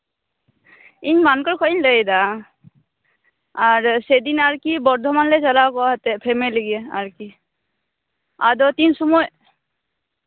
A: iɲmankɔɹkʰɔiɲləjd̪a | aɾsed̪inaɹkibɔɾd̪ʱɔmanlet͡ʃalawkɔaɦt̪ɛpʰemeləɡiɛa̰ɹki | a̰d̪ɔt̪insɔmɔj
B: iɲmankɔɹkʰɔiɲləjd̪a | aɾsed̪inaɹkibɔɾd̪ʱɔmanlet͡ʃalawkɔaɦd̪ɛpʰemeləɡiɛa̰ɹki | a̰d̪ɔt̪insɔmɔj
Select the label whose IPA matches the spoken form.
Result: A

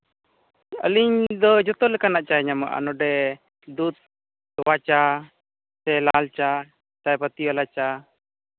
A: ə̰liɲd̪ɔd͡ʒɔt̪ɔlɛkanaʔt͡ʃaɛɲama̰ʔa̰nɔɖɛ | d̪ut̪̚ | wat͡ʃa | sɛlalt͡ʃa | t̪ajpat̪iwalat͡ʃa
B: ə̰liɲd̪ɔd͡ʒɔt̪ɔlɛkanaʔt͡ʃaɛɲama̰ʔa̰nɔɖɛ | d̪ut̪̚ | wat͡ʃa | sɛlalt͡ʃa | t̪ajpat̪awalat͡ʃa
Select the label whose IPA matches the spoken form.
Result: A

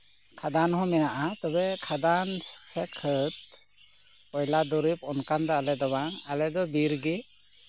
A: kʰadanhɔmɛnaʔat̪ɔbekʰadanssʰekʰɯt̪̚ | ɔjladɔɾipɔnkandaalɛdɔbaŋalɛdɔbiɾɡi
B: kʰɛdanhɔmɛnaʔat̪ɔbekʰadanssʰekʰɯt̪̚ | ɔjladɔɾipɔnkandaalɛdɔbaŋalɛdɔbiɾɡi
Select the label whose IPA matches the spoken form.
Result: A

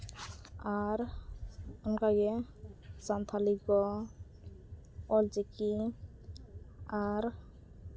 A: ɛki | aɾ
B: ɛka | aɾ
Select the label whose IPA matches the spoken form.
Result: A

